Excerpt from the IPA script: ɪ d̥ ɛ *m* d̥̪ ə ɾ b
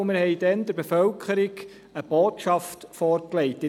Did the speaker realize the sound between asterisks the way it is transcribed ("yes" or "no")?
no